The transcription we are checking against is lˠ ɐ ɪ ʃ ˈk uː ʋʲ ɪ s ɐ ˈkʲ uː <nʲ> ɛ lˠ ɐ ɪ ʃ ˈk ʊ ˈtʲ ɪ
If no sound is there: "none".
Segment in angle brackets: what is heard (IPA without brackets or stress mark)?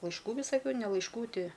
nʲ